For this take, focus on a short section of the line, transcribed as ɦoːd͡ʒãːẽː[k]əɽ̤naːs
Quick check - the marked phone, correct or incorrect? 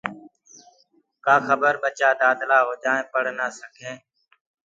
incorrect